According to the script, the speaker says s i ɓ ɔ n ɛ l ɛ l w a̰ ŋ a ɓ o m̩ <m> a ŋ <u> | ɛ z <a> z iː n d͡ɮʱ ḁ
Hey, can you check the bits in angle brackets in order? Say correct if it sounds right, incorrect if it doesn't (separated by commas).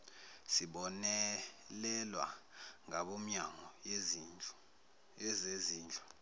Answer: incorrect, incorrect, incorrect